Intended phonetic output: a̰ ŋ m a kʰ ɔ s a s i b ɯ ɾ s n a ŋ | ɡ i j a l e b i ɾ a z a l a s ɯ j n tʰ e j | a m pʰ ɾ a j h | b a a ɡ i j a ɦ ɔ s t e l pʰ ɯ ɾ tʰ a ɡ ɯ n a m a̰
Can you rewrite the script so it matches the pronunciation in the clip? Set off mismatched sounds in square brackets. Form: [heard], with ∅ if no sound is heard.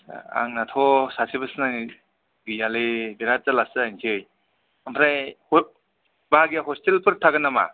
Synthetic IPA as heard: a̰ ŋ [n] a [tʰ] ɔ s a s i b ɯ [∅] s n a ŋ | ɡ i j a l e b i ɾ a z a l a s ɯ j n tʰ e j | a m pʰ ɾ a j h | b a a ɡ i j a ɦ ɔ s t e l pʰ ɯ ɾ tʰ a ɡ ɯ n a m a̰